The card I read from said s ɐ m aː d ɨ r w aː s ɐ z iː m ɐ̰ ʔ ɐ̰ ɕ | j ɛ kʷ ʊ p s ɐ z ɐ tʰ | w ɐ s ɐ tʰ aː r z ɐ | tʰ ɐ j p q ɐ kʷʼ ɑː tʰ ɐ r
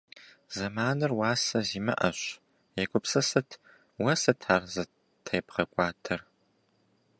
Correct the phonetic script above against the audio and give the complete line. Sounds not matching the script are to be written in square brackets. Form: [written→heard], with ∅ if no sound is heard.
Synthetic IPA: [s→z] ɐ m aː [d→n] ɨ r w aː s ɐ z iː m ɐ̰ ʔ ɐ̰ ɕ | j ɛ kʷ ʊ p s ɐ [z→s] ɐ tʰ | w ɐ s ɐ tʰ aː r z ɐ | tʰ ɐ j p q ɐ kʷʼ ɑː tʰ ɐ r